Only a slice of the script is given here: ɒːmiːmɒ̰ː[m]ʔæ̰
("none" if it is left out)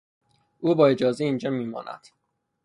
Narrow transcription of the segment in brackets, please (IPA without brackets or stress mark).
n